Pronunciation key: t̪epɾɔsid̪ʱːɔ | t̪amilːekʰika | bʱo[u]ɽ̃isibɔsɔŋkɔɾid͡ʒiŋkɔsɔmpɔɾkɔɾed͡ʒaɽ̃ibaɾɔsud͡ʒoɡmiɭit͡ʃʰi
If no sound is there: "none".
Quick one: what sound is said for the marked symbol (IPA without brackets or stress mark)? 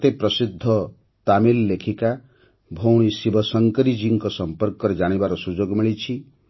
w